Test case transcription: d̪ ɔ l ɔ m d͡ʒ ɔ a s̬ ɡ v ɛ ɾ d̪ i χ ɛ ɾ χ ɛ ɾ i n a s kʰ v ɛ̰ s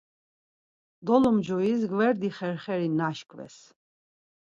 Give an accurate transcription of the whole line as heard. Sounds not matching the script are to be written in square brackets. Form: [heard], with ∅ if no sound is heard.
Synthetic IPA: d̪ ɔ l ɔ m d͡ʒ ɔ [i] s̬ ɡ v ɛ ɾ d̪ i χ ɛ ɾ χ ɛ ɾ i n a [ʃ] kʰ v ɛ̰ s